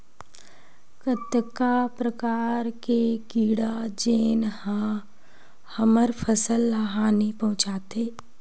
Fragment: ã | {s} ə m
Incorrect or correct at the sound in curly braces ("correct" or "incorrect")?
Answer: incorrect